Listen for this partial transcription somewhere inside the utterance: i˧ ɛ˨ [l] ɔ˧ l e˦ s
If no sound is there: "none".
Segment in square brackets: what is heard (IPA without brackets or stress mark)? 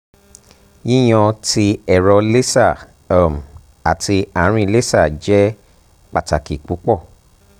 ɾ